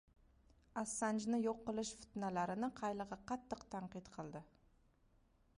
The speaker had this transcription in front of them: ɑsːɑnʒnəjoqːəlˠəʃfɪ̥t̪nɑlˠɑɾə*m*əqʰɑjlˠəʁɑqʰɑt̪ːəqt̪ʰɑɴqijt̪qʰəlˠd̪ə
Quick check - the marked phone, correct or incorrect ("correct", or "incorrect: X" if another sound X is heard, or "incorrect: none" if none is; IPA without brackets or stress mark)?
incorrect: n